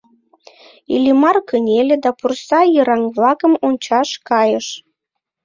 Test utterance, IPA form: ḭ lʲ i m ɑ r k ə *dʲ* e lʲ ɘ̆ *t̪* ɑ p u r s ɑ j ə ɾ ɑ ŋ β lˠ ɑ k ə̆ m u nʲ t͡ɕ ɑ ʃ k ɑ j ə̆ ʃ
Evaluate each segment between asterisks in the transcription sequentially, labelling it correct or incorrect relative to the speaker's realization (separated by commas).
incorrect, incorrect